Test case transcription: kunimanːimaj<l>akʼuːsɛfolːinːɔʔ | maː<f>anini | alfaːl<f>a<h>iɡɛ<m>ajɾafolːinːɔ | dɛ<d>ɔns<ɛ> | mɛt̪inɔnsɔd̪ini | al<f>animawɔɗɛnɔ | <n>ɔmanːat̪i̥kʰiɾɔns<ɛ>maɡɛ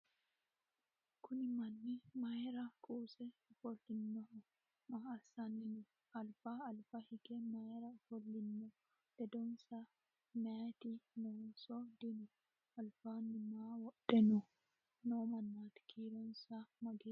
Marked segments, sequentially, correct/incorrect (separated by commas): incorrect, incorrect, correct, correct, correct, correct, incorrect, correct, correct, incorrect